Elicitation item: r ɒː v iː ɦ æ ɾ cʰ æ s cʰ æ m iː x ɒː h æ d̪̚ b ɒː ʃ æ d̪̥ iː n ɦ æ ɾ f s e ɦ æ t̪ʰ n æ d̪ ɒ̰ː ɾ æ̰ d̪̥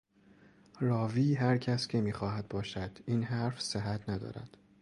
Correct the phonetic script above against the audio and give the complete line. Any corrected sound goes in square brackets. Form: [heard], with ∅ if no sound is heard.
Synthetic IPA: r ɒː v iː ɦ æ ɾ cʰ æ s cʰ [e] m iː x ɒː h æ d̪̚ b ɒː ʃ æ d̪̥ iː n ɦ æ ɾ f s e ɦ æ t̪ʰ n æ d̪ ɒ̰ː ɾ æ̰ d̪̥